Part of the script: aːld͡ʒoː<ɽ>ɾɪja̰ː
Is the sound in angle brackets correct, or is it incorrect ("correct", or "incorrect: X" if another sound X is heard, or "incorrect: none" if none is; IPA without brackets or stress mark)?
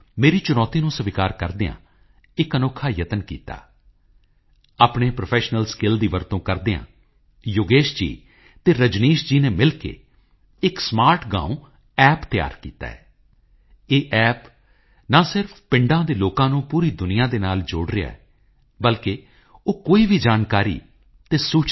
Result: correct